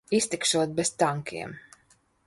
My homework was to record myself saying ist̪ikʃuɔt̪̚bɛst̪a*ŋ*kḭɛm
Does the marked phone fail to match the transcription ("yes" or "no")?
no